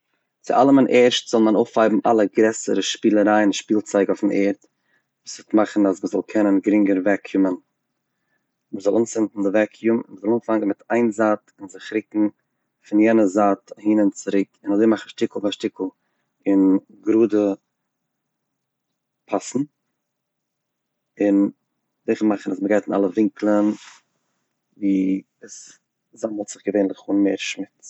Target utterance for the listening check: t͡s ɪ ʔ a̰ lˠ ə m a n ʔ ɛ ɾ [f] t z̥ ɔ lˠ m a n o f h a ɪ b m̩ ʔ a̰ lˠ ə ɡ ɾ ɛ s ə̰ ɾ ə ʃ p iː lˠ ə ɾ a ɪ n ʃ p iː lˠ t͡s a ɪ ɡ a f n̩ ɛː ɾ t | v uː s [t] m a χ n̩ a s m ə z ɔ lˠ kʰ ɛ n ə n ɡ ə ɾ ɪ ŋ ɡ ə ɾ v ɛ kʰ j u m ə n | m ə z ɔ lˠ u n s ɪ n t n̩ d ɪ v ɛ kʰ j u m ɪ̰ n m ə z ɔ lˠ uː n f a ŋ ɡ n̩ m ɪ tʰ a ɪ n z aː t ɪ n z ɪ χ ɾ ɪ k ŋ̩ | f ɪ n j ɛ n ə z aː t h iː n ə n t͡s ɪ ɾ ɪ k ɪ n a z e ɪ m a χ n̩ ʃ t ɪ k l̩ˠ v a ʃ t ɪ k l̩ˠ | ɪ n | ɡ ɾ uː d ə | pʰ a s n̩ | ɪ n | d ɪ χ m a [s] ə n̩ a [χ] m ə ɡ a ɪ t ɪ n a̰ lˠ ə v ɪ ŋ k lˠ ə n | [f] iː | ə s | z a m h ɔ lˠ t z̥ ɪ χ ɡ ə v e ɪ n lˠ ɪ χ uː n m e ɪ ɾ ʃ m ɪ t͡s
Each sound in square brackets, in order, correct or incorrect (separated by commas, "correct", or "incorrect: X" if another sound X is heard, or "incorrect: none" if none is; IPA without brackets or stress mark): incorrect: ʃ, correct, incorrect: χ, incorrect: s, incorrect: v